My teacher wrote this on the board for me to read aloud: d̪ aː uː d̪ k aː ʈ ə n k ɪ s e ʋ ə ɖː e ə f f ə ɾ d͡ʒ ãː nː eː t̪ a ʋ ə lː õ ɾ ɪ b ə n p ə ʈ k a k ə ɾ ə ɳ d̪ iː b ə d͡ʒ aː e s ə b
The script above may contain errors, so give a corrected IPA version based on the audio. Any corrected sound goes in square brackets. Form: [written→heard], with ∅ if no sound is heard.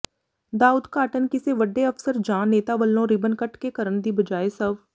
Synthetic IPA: d̪ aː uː d̪ k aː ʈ ə n k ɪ s e ʋ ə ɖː e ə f [f→s] ə ɾ d͡ʒ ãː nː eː t̪ a ʋ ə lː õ ɾ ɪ b ə n [p→k] ə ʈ k [a→e] k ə ɾ ə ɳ d̪ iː b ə d͡ʒ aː e s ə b

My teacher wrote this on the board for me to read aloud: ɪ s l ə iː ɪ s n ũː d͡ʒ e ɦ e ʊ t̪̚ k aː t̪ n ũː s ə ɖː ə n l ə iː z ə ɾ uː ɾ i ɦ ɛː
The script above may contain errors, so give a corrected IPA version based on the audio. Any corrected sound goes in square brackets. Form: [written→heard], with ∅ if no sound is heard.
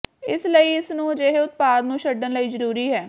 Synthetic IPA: ɪ s l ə iː ɪ s n ũː d͡ʒ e ɦ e ʊ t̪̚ [k→p] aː [t̪→d̪] n ũː [s→ʃ] ə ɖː ə n l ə iː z ə ɾ uː ɾ [i→iː] ɦ ɛː

